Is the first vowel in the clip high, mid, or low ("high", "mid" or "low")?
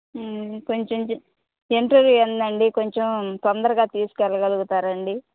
mid